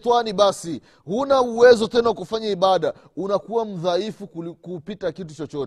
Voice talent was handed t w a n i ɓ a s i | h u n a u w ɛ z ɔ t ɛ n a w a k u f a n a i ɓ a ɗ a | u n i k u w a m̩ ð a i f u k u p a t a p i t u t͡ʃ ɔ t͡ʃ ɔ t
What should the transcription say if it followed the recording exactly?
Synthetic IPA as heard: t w a n i ɓ a s i | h u n a u w ɛ z ɔ t ɛ n a w a k u f a ɲ a i ɓ a ɗ a | u n a k u w a m̩ ð a i f u k u p i t a k i t u t͡ʃ ɔ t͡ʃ ɔ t